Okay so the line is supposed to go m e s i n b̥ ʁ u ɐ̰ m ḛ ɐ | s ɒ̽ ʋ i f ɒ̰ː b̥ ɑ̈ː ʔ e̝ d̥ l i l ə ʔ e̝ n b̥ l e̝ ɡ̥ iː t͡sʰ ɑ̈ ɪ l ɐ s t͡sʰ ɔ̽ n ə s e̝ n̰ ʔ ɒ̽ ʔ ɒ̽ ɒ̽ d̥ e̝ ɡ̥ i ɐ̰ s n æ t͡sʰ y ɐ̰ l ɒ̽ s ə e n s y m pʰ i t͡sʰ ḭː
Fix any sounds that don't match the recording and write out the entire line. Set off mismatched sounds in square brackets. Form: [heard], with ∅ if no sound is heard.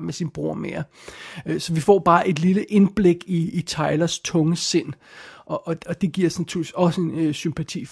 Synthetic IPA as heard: m e s i n b̥ ʁ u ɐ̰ m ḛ ɐ | s ɒ̽ ʋ i f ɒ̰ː b̥ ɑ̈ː ʔ e̝ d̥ l i l ə ʔ e̝ n b̥ l e̝ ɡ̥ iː t͡sʰ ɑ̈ ɪ l ɐ s t͡sʰ ɔ̽ [ŋ] ə s e̝ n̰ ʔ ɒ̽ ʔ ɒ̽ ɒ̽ d̥ e̝ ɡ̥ i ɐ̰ s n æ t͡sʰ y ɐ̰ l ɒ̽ s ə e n s y m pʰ [æ] t͡sʰ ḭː